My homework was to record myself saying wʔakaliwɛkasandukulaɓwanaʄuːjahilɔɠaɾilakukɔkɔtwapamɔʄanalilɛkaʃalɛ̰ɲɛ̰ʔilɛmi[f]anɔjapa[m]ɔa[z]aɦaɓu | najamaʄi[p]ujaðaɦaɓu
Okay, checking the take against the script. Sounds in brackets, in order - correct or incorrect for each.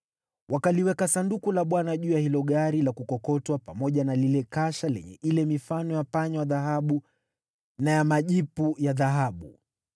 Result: correct, incorrect: ɲ, incorrect: ð, correct

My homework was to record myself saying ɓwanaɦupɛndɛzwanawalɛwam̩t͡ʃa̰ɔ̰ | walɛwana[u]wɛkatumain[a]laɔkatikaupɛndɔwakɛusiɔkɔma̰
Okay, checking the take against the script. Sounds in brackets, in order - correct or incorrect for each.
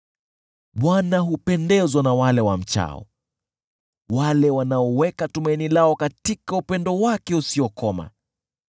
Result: incorrect: ɔ, incorrect: i

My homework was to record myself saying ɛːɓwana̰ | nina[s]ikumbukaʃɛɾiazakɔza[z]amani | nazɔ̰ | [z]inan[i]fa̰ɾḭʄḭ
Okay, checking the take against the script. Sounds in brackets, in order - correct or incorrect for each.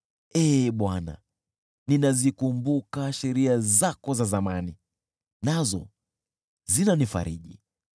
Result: incorrect: z, correct, correct, correct

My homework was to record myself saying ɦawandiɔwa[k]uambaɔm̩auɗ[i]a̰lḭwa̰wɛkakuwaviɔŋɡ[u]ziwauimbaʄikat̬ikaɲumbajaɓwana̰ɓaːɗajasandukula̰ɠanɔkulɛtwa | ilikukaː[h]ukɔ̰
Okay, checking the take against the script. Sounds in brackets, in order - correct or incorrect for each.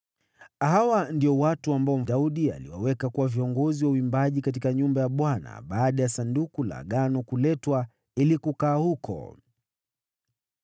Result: incorrect: t, correct, incorrect: ɔ, correct

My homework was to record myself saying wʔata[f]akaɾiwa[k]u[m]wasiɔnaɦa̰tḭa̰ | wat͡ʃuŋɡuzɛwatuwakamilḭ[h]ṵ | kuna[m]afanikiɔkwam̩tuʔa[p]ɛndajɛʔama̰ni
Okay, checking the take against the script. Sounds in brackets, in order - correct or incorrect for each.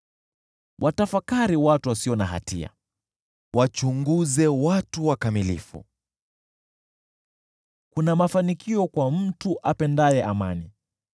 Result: correct, incorrect: t, incorrect: none, incorrect: f, correct, correct

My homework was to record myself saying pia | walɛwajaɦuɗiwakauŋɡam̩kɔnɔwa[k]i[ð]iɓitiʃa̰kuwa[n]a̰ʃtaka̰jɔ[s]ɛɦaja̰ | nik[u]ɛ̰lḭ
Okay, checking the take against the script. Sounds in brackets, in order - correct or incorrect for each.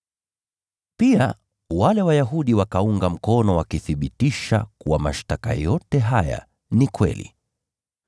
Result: correct, incorrect: θ, incorrect: m, incorrect: t, incorrect: w

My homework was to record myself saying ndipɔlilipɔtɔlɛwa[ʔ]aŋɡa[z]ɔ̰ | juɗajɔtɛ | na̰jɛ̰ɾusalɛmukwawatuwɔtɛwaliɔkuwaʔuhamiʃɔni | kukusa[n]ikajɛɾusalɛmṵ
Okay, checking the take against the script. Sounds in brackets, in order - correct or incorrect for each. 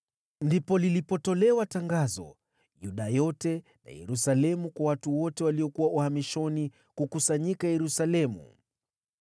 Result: incorrect: t, correct, incorrect: ɲ

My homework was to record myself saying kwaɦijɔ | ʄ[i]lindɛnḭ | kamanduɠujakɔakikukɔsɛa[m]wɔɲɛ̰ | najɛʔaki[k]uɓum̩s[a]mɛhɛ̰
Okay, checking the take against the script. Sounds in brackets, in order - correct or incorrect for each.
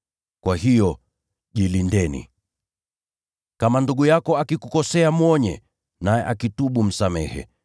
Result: correct, correct, incorrect: t, correct

